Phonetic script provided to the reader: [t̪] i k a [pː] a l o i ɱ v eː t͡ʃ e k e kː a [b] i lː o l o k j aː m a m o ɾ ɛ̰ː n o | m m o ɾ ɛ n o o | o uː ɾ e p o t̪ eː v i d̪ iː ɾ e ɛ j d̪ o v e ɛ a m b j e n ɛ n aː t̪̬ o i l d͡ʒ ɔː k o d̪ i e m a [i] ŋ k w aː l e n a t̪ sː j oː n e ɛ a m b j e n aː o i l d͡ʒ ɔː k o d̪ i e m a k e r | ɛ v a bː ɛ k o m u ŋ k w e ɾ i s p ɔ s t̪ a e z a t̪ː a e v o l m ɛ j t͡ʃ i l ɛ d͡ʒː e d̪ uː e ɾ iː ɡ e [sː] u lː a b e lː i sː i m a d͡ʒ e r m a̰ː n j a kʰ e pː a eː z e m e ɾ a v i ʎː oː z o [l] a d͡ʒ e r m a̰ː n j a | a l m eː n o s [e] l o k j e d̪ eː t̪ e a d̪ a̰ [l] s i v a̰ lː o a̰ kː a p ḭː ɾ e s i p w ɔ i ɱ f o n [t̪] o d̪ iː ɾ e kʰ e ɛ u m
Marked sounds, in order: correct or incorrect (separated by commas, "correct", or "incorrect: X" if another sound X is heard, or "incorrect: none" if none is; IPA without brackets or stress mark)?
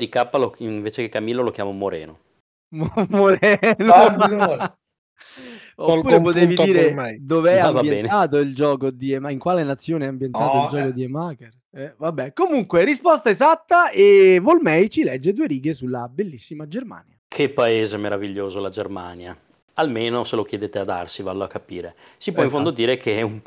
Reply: incorrect: d̪, correct, incorrect: m, correct, incorrect: s, correct, correct, incorrect: r, incorrect: d̪